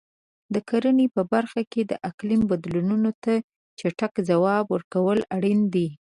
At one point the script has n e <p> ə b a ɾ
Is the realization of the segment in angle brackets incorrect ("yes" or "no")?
no